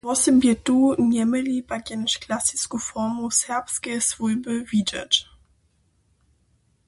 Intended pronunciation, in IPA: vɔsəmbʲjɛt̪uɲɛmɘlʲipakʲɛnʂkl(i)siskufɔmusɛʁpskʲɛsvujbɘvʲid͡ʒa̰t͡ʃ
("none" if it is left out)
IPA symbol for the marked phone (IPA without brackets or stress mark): a